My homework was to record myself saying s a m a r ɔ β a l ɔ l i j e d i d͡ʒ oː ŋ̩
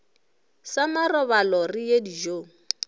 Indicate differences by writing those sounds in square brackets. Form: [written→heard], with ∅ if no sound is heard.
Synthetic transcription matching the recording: s a m a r ɔ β a l ɔ [l→r] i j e d i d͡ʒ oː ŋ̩